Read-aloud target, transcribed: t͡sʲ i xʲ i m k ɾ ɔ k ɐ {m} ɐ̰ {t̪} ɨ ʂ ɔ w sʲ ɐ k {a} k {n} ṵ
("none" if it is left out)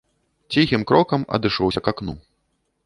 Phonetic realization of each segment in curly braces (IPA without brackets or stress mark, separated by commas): m, d̪, a, n